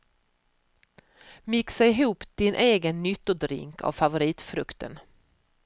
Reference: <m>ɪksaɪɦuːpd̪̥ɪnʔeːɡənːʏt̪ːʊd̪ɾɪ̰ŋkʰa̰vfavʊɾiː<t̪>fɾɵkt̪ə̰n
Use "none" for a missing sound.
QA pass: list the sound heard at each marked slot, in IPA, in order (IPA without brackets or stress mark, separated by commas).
m, t̪